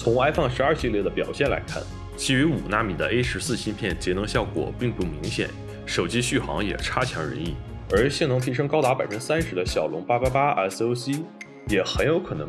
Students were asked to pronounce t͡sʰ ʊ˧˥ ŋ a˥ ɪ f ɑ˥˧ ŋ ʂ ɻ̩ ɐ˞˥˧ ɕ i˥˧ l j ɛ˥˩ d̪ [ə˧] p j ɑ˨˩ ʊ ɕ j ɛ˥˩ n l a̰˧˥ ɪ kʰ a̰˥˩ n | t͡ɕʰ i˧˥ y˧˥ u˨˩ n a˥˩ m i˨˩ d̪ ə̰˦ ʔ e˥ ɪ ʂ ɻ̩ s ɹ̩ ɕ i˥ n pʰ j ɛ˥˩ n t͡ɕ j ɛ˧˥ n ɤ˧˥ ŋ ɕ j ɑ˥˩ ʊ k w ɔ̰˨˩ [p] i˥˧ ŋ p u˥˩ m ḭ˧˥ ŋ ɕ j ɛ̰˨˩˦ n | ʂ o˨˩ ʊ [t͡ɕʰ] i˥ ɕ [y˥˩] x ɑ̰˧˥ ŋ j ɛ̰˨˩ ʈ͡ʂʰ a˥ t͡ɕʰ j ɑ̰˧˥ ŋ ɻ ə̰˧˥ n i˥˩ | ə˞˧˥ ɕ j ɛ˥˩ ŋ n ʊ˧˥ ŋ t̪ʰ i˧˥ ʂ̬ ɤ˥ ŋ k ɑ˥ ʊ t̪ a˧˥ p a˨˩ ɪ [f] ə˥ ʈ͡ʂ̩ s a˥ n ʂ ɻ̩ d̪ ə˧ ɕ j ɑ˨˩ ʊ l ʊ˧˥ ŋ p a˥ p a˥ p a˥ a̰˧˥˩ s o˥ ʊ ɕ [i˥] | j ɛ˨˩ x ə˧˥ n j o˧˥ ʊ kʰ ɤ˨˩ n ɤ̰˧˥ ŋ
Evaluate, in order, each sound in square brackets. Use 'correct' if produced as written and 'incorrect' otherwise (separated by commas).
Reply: incorrect, correct, incorrect, correct, correct, correct